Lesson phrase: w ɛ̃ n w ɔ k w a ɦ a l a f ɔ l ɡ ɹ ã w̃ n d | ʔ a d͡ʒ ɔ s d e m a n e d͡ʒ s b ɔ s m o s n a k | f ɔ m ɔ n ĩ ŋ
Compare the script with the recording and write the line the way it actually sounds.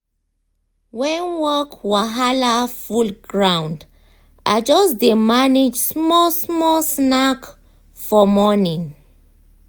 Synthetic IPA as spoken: w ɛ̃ n w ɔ k w a ɦ a l a f u l ɡ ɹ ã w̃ n d | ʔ a d͡ʒ ɔ s d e m a n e d͡ʒ s m ɔ s m ɔ s n a k | f ɔ m ɔ n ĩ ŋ